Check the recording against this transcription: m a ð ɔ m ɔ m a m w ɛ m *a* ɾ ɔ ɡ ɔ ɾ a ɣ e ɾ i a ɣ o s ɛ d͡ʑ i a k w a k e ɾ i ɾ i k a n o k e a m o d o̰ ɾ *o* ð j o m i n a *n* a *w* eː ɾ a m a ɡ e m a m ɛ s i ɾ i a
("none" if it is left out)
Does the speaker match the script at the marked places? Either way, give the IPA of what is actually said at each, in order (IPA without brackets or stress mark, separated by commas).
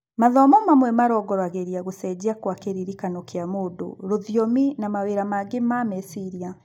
a, o, m, w